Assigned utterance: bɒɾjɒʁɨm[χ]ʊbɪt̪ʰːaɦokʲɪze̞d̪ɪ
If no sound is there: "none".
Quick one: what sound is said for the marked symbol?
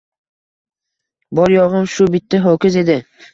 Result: ʃ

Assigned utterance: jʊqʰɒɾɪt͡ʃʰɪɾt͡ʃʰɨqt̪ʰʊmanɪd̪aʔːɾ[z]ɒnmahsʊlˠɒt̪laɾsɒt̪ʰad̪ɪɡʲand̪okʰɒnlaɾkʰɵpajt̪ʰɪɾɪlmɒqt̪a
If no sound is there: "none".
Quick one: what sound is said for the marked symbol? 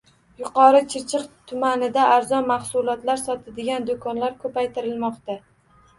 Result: z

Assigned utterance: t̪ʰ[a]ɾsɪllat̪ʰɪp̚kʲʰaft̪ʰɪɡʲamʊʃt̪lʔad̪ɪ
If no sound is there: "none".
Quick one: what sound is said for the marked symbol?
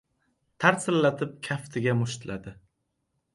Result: a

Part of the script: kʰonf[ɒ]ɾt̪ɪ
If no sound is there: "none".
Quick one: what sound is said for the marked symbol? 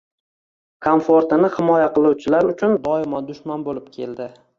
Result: o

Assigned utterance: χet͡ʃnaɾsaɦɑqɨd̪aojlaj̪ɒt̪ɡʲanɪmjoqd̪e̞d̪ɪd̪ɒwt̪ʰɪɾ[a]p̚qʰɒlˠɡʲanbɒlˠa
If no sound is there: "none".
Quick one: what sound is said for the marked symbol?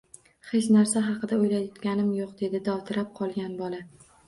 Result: a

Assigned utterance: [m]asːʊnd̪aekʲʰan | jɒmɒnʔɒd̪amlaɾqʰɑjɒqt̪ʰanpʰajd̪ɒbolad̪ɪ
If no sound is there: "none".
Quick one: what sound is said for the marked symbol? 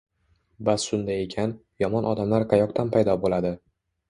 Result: b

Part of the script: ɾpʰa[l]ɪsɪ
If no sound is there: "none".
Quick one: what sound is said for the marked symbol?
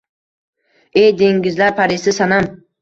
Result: ɾ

